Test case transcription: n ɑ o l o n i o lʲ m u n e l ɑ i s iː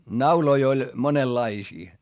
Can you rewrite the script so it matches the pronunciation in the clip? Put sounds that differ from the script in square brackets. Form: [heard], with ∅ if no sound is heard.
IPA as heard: n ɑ [u] l o [∅] i o lʲ m [o] n e [lː] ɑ i s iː